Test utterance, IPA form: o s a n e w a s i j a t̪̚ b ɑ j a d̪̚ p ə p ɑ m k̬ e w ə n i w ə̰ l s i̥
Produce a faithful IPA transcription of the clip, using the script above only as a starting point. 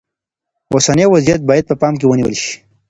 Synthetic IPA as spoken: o s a n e w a z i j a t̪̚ b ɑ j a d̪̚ p ə p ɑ m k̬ e w ə n i w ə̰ l ʃ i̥

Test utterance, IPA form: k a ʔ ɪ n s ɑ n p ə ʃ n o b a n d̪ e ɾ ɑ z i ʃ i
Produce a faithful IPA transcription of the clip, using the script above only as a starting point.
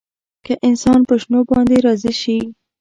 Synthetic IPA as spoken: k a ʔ ɪ n s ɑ n p ə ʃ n o b ɑ n d̪ e ɾ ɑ z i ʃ i

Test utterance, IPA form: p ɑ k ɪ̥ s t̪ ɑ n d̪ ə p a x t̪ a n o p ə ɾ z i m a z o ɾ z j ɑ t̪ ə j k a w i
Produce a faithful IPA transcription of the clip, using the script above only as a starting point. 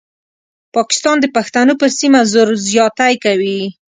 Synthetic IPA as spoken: p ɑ k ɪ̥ s t̪ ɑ n d̪ ə p a x t̪ a n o p ə ɾ s i m a z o ɾ z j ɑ t̪ a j k a w i

